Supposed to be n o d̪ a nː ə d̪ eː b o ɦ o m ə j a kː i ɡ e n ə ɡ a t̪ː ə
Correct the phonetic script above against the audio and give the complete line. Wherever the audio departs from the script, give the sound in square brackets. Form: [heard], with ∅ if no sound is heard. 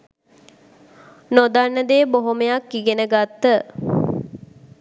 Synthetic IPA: n o d̪ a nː ə d̪ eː b o ɦ o m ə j a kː i ɡ e n ə ɡ a t̪ː ə